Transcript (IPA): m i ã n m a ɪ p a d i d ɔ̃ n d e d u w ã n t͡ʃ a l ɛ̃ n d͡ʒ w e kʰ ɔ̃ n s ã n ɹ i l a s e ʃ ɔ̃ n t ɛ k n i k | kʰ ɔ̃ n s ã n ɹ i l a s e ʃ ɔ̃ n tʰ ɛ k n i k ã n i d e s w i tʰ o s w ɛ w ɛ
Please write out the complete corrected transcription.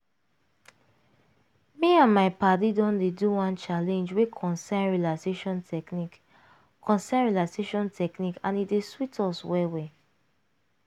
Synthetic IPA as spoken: m i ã n m a ɪ p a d i d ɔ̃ n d e d u w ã n t͡ʃ a l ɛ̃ n d͡ʒ w e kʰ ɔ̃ n s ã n ɹ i l a s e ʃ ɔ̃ n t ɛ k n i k | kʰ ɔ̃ n s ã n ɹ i l a s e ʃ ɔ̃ n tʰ ɛ k n i k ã n i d e s w i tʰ ɔ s w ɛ w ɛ